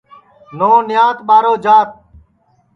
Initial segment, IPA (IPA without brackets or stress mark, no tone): n